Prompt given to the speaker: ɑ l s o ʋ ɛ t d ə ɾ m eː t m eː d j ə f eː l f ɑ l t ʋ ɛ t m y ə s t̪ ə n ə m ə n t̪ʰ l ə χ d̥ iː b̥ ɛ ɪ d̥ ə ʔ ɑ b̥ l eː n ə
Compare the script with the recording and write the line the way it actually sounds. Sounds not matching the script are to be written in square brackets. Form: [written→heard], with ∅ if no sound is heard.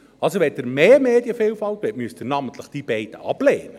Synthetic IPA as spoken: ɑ l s o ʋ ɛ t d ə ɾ m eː [t→∅] m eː d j ə f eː l f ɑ l t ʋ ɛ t m y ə s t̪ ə n [ə→ɑ] m ə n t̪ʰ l ə χ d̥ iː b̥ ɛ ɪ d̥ ə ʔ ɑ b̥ l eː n ə